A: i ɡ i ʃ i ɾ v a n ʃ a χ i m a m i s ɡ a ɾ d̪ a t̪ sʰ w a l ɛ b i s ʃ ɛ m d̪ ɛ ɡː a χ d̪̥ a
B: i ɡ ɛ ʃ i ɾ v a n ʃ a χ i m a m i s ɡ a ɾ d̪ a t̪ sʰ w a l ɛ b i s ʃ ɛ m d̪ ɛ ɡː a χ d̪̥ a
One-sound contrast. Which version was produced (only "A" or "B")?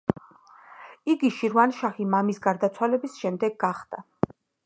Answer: A